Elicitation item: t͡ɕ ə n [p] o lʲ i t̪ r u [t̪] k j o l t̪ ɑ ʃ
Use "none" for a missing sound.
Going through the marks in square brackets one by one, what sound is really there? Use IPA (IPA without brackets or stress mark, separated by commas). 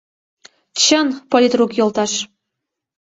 p, none